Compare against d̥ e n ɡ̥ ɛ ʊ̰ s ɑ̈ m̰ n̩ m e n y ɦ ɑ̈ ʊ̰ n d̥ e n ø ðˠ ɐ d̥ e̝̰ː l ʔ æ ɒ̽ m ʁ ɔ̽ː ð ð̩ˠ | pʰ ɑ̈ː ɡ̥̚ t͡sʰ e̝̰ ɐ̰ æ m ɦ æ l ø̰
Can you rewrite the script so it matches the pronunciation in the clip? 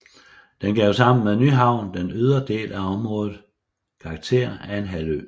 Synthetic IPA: d̥ e n ɡ̥ ɛ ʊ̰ s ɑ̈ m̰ n̩ m e n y ɦ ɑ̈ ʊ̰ n d̥ e n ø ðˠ ɐ d̥ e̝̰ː l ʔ æ ɒ̽ m ʁ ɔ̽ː ð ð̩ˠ | kʰ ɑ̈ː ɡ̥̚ t͡sʰ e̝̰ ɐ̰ æ n ɦ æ l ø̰